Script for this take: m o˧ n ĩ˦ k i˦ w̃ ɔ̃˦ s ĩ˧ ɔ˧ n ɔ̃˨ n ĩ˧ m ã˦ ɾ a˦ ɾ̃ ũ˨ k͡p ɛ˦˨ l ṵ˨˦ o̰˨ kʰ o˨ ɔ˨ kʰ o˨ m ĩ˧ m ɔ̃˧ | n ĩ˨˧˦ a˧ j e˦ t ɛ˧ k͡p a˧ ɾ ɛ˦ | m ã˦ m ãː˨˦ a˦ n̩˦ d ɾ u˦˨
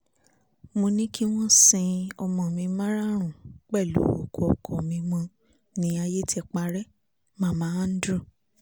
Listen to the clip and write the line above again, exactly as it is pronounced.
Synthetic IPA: m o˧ n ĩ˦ k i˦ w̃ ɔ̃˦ s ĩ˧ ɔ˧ m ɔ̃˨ m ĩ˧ m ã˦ ɾ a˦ ɾ̃ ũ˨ k͡p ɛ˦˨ l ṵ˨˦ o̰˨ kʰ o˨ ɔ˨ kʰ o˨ m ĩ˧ m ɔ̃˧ | n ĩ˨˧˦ a˧ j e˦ t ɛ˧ k͡p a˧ ɾ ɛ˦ | m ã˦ m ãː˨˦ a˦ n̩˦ d ɾ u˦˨